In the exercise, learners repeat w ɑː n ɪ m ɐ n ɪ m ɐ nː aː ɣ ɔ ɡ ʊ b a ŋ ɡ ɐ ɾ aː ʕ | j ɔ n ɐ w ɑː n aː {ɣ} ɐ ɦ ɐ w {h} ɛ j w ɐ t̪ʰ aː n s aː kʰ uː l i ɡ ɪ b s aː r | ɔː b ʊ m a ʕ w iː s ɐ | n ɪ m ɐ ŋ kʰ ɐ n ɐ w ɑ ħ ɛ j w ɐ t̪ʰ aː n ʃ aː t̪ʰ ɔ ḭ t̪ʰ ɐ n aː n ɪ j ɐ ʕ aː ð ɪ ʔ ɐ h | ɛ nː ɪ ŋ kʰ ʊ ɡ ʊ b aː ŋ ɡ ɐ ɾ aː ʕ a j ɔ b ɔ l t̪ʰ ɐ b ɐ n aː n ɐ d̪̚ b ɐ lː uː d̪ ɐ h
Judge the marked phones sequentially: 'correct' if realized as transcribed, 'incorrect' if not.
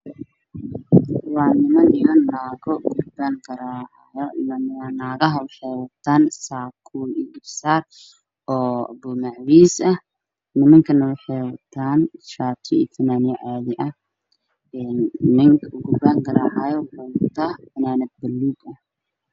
correct, incorrect: ħ

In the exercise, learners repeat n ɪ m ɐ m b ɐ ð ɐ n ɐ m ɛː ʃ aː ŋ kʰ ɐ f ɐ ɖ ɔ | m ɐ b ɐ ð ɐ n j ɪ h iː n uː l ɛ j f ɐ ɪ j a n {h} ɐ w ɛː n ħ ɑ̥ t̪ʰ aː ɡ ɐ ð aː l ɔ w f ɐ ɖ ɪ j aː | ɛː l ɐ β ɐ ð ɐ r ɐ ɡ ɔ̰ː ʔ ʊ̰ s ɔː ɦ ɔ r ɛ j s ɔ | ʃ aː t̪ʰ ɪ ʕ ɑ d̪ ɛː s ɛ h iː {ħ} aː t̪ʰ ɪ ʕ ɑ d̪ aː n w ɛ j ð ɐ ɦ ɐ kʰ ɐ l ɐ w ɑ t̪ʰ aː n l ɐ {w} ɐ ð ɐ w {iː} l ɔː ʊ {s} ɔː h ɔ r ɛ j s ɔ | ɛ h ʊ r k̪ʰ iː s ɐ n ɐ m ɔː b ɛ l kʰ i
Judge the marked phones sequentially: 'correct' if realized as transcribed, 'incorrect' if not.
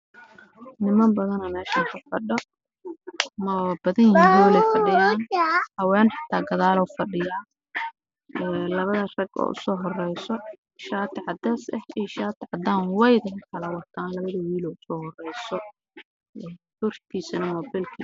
correct, incorrect: ʃ, incorrect: β, correct, correct

